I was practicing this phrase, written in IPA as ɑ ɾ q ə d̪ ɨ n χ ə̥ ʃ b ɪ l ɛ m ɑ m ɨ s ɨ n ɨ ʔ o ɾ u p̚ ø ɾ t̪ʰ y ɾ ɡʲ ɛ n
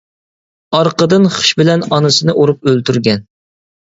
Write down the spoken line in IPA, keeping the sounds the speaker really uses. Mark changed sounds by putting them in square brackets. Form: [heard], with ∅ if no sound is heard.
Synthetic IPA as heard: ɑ ɾ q ə d̪ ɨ n χ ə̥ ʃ b ɪ l ɛ [n] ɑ [n] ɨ s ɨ n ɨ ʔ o ɾ u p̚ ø [l] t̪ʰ y ɾ ɡʲ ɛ n